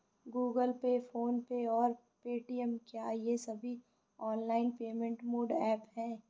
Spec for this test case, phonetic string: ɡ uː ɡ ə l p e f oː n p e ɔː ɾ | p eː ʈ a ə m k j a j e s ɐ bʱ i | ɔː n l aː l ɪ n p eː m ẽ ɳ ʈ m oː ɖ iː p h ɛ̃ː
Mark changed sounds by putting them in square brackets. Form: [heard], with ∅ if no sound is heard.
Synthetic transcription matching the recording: ɡ uː ɡ ə l p e f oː n p e ɔː ɾ | p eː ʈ [i] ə m k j a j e s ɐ bʱ i | ɔː n l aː [∅] ɪ n p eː m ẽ ɳ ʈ m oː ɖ [ɛː] p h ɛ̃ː